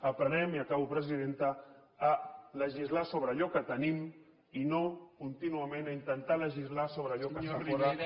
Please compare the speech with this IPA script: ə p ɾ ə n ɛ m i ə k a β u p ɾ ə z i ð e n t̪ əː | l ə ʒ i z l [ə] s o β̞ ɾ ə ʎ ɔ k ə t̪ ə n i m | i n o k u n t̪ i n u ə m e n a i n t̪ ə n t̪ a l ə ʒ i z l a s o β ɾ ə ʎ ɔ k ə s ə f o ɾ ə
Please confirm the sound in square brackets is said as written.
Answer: no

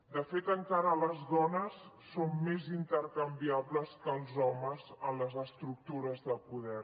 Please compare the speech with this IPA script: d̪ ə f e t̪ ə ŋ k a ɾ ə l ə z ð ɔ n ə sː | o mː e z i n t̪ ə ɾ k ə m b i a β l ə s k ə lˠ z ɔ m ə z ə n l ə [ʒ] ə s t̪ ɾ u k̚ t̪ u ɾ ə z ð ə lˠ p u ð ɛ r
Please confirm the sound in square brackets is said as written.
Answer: no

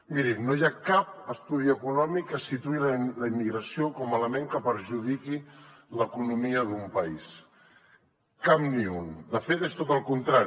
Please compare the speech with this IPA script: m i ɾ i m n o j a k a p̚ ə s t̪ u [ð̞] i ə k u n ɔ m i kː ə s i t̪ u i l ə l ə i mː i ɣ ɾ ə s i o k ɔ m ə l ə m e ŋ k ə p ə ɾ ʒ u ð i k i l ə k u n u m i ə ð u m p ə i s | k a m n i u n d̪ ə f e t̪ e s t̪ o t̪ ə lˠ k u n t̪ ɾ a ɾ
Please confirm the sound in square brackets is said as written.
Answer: yes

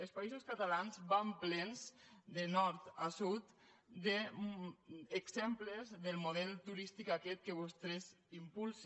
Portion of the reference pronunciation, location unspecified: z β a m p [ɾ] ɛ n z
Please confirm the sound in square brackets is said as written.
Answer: no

